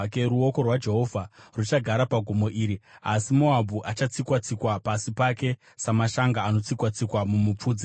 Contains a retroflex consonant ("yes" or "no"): no